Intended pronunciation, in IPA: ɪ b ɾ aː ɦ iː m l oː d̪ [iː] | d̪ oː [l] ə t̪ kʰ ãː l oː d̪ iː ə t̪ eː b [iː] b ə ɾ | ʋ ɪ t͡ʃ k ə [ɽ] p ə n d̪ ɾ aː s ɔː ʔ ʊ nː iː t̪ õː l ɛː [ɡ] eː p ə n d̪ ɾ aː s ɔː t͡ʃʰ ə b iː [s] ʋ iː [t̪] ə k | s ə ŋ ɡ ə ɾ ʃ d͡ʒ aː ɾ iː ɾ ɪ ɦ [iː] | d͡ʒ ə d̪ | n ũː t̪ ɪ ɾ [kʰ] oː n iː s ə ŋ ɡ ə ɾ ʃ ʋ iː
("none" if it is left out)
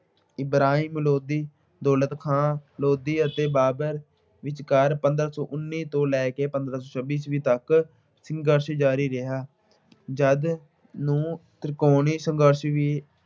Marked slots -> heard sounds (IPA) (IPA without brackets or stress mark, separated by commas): iː, l, aː, ɾ, k, s, t̪, aː, k